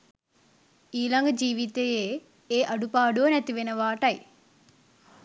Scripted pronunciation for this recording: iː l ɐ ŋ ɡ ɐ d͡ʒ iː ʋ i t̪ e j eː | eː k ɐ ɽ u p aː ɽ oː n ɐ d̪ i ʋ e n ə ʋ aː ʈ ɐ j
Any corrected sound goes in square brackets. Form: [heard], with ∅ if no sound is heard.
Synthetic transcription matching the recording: iː l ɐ ŋ ɡ ɐ d͡ʒ iː ʋ i t̪ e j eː | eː [ʔ] ɐ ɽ u p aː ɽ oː n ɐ [t̪] i ʋ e n [ɐ] ʋ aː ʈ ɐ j